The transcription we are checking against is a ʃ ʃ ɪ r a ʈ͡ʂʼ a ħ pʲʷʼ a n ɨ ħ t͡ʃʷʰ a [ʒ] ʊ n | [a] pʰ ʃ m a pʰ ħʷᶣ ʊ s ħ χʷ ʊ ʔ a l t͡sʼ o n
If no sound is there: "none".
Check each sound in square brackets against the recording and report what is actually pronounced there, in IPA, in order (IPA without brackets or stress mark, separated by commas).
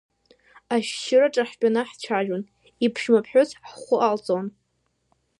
ʒ, i